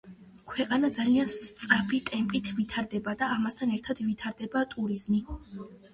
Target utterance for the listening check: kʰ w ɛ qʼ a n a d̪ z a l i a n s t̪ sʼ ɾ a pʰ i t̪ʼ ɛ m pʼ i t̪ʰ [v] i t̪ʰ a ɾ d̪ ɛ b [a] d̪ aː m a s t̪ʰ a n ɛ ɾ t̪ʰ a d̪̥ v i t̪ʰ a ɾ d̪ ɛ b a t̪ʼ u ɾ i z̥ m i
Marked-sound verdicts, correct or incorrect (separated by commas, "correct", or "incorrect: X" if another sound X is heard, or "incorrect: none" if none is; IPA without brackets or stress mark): correct, correct